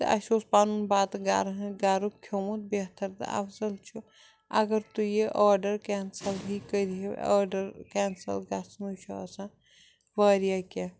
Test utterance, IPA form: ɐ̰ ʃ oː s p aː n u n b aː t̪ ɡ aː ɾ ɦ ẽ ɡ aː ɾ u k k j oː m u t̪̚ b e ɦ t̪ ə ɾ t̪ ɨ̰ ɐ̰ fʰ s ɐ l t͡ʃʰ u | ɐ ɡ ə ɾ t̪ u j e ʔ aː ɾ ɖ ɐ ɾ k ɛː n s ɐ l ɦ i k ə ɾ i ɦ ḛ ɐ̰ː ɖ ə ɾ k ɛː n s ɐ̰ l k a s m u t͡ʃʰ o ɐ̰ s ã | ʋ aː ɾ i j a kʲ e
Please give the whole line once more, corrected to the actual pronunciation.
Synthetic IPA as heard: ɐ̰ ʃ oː s p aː n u n b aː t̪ ɡ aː ɾ ɦ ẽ ɡ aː ɾ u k kʰ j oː m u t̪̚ b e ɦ t̪ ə ɾ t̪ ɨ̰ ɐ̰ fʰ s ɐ l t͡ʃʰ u | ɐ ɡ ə ɾ t̪ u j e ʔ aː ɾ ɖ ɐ ɾ k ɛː n s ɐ l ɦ i k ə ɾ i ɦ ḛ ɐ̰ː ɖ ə ɾ k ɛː n s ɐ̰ l ɡ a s n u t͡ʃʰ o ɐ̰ s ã | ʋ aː ɾ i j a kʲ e